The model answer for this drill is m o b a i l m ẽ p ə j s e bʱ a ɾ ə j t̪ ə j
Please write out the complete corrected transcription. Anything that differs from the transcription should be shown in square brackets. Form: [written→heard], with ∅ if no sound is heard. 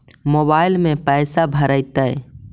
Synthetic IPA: m o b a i l m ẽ p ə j s [e→a] bʱ [a→ə] ɾ ə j t̪ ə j